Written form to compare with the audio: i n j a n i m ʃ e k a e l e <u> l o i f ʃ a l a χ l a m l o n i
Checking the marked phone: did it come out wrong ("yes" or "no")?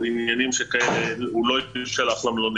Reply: no